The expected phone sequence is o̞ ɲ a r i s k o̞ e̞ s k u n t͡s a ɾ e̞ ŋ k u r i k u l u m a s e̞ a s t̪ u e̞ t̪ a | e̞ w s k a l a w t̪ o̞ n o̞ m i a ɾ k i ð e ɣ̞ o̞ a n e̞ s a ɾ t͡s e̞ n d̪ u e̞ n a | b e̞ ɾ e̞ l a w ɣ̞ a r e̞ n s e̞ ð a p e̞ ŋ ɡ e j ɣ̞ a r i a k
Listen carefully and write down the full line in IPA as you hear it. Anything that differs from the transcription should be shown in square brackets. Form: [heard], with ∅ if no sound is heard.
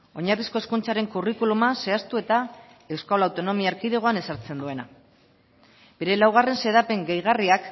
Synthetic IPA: o̞ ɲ a r i s k o̞ e̞ s k u n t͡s a ɾ e̞ ŋ k u r i k u l u m a s e̞ a s t̪ u e̞ t̪ a | e̞ w s k a l a w t̪ o̞ n o̞ m i a ɾ k i ð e ɣ̞ o̞ a n e̞ s a ɾ t͡s e̞ n d̪ u e̞ n a | b e̞ ɾ e̞ l a w ɣ̞ a r e̞ n s e̞ ð a p e̞ ŋ ɡ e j ɣ̞ a r i a k